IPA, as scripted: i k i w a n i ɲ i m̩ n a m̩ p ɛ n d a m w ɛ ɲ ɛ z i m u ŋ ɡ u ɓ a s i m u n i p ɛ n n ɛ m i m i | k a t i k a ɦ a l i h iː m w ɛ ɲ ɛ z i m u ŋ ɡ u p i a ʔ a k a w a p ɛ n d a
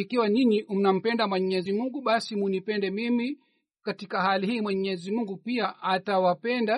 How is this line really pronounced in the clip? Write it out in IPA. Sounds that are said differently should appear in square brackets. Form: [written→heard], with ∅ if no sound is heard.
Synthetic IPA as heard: i k i w a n i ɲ i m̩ n a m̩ p ɛ n d a m w ɛ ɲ ɛ z i m u ŋ ɡ u ɓ a s i m u n i p ɛ n [n→d] ɛ m i m i | k a t i k a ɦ a l i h iː m w ɛ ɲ ɛ z i m u ŋ ɡ u p i a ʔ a [k→t] a w a p ɛ n d a